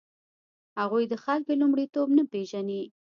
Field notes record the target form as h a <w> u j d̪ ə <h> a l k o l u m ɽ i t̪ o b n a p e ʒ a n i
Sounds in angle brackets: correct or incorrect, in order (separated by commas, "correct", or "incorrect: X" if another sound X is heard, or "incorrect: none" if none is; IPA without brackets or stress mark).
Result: incorrect: ɣ, incorrect: x